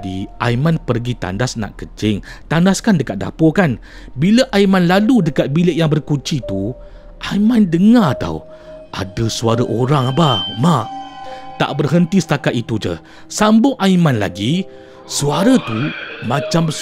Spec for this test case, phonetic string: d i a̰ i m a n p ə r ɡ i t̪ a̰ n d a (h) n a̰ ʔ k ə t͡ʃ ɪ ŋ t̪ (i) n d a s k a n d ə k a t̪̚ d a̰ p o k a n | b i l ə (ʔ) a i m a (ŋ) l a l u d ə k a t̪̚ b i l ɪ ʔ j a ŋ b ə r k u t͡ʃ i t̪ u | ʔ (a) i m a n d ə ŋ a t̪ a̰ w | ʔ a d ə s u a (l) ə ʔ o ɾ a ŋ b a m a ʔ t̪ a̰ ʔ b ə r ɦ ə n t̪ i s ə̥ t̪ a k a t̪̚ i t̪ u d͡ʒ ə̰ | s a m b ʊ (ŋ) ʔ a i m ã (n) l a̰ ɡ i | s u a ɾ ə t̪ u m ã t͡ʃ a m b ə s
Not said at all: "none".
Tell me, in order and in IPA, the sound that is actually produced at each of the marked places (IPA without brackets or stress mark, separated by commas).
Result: s, a, ʔ, n, a, ɾ, ŋ, n